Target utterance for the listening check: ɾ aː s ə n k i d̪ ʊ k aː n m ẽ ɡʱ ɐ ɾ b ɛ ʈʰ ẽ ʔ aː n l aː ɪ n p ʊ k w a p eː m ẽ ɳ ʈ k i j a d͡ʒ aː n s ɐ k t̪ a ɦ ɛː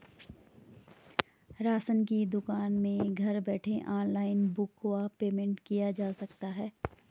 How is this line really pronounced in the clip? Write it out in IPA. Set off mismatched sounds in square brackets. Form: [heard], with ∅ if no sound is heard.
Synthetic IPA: ɾ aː s ə n k i d̪ ʊ k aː n m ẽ ɡʱ ɐ ɾ b [ɛː] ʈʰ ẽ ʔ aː n l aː ɪ n [b] ʊ k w a p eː m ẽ ɳ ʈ k i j a d͡ʒ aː [∅] s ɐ k t̪ a ɦ ɛː